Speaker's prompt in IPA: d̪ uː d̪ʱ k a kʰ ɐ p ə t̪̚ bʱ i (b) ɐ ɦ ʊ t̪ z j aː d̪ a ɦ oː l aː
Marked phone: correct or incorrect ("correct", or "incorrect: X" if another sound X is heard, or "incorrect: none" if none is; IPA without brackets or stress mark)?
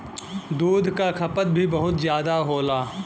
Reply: correct